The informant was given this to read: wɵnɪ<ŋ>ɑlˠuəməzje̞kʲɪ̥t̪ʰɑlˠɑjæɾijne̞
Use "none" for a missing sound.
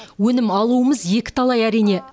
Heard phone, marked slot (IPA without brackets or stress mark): m